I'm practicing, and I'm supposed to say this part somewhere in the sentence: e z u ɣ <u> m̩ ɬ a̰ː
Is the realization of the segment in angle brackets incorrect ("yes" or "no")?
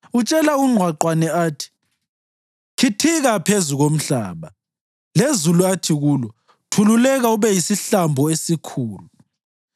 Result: yes